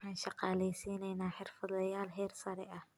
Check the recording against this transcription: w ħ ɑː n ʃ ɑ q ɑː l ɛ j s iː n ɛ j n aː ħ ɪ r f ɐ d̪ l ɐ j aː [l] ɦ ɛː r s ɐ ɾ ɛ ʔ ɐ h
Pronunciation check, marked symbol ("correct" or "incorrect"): correct